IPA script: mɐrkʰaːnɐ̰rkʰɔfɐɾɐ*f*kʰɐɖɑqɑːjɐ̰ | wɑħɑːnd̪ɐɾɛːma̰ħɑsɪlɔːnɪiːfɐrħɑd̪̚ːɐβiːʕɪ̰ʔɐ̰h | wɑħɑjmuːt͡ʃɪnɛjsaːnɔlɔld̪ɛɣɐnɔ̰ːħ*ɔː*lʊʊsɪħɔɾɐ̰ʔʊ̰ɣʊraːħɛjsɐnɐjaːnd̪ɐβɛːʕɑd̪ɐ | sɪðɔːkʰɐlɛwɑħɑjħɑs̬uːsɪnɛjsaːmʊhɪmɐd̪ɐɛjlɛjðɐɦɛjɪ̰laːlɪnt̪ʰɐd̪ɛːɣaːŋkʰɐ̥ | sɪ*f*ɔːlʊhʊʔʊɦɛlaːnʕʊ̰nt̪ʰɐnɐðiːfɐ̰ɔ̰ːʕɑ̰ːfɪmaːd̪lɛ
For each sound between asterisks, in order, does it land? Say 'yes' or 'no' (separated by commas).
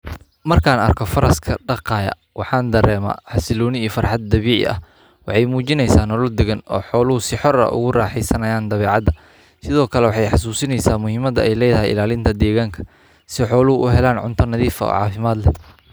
no, yes, no